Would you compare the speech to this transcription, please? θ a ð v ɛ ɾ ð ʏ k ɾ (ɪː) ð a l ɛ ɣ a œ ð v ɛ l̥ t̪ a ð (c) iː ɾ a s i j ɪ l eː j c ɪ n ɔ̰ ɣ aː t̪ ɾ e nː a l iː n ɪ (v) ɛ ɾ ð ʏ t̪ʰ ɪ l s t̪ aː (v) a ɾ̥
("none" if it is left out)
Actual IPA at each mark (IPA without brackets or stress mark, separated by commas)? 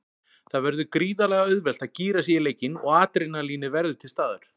iː, c, v, ð